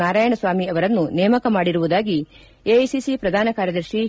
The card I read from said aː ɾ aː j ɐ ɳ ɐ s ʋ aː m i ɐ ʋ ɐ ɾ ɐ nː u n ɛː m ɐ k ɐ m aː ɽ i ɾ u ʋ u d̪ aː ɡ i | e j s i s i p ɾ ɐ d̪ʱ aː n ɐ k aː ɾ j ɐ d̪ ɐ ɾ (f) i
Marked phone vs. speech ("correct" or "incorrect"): incorrect